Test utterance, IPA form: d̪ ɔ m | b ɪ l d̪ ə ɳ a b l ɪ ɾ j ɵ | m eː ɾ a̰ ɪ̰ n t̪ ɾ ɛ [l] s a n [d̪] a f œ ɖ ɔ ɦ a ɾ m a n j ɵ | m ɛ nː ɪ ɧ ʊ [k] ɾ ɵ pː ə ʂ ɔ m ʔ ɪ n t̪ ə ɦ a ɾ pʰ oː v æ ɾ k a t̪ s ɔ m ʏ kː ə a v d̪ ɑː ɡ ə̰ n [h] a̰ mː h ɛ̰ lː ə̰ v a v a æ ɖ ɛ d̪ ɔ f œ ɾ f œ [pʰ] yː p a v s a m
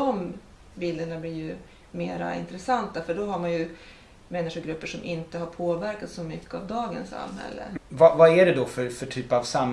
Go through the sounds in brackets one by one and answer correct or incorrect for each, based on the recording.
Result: incorrect, incorrect, incorrect, incorrect, incorrect

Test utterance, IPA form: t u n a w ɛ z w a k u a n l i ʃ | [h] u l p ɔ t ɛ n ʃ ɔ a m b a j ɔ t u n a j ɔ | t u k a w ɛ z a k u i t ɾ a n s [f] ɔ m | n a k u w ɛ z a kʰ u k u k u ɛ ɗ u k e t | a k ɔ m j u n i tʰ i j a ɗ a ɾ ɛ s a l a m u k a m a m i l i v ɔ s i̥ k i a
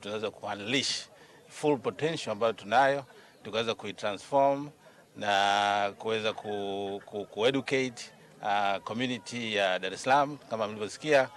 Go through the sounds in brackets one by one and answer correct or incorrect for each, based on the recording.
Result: incorrect, correct

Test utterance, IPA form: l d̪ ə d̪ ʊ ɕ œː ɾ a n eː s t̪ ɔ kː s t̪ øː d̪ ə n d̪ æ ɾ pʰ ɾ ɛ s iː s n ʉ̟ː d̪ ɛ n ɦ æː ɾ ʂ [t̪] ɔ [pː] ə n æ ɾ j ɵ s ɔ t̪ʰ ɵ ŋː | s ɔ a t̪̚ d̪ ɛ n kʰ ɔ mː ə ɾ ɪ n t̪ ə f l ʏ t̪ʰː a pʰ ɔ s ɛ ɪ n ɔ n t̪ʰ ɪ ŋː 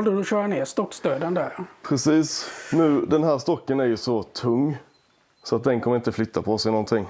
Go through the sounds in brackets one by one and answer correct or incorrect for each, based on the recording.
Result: correct, incorrect

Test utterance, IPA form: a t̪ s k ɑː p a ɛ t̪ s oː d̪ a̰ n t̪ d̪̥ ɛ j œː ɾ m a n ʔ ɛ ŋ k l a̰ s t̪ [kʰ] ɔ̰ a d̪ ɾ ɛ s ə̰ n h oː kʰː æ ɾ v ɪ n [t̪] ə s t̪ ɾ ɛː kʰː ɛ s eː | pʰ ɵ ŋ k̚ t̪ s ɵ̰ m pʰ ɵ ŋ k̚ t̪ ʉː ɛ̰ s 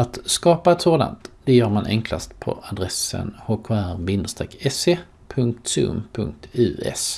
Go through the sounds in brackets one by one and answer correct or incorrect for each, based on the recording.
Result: incorrect, incorrect

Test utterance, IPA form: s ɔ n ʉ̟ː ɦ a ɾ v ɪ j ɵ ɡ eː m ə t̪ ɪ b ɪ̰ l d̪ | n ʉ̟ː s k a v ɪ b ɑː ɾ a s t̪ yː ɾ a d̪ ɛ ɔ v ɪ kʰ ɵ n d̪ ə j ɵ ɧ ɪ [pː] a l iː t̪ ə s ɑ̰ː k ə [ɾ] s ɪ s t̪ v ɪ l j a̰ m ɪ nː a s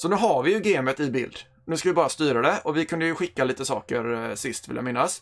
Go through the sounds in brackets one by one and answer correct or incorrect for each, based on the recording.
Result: incorrect, correct

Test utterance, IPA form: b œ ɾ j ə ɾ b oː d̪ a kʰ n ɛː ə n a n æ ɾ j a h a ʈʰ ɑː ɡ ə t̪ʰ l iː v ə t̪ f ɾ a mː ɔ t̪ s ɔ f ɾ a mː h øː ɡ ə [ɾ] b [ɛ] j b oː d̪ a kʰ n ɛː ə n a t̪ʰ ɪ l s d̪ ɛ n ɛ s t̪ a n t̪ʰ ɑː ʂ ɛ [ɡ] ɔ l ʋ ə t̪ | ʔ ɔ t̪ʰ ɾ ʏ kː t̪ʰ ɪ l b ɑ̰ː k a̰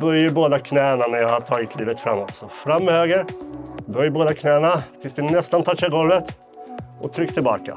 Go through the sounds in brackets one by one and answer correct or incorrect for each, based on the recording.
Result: correct, incorrect, correct

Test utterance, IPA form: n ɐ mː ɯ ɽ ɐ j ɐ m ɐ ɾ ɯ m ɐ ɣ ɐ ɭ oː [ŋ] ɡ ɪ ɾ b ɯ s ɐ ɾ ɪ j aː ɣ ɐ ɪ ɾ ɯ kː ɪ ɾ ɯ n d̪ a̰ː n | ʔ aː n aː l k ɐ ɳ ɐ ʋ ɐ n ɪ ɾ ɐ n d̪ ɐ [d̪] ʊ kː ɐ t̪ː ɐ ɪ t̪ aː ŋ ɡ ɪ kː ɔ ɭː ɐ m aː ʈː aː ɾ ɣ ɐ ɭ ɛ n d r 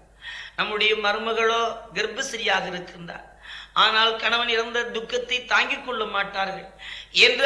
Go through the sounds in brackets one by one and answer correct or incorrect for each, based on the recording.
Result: incorrect, correct

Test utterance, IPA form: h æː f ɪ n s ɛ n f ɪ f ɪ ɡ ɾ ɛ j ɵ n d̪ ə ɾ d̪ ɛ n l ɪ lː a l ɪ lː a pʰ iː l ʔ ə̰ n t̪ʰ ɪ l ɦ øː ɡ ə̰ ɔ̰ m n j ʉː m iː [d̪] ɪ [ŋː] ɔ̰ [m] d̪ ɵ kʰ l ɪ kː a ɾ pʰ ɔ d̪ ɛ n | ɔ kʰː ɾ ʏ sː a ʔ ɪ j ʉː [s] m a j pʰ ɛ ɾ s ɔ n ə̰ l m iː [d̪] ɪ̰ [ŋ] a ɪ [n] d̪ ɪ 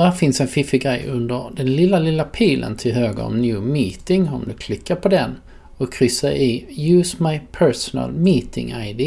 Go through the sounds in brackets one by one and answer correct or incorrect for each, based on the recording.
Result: incorrect, incorrect, correct, correct, incorrect, correct, incorrect

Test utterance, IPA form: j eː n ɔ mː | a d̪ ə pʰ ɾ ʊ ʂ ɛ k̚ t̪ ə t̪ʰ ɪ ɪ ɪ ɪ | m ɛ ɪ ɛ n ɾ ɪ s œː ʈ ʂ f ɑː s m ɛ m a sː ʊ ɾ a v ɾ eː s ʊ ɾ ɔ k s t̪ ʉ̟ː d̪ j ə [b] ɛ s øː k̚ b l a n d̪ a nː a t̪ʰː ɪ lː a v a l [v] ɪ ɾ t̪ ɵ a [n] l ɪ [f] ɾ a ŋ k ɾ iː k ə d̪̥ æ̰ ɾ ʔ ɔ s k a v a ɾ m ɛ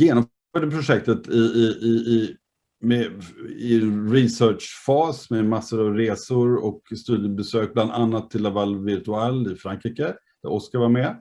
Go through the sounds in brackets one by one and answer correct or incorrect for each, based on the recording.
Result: correct, correct, incorrect, correct

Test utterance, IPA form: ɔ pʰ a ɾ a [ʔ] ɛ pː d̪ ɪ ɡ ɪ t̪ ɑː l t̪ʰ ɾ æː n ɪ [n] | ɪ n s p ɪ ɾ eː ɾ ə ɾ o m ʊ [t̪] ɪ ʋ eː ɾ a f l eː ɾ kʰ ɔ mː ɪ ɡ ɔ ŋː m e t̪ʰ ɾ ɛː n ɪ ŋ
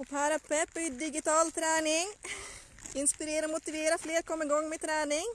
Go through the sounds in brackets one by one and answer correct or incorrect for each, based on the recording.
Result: incorrect, incorrect, correct

